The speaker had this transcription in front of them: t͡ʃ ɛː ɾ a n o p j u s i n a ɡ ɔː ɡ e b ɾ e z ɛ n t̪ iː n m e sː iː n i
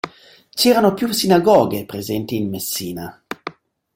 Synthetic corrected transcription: t͡ʃ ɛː ɾ a n o p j u s i n a ɡ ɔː ɡ e p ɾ e z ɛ n t̪ iː n m e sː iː n a